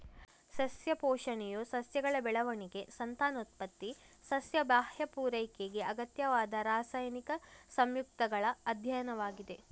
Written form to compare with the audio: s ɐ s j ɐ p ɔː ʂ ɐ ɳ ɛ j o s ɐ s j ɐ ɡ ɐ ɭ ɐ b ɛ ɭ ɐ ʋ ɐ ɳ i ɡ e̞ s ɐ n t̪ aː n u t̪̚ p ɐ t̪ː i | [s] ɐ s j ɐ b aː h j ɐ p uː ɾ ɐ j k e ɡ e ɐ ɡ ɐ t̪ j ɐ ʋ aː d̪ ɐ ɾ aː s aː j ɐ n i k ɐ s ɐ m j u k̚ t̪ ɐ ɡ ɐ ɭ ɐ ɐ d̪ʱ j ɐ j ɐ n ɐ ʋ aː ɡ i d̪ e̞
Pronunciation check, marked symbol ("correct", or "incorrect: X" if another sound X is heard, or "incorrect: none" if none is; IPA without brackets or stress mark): correct